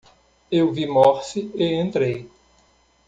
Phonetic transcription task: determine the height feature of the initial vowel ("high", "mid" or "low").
mid